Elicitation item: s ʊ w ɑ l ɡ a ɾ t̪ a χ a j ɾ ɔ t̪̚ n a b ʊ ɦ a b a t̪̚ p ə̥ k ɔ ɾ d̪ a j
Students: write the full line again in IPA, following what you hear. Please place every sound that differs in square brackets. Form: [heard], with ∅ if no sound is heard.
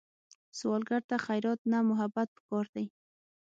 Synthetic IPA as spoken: s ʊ w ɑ l ɡ a ɾ t̪ a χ a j ɾ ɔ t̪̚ n a [m] ʊ ɦ a b a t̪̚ p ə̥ k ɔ ɾ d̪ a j